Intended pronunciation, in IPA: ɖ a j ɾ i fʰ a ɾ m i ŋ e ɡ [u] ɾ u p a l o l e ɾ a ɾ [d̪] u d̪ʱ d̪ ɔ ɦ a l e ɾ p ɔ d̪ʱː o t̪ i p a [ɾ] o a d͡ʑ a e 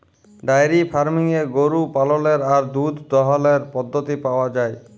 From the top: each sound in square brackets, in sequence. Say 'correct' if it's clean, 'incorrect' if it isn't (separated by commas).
incorrect, correct, incorrect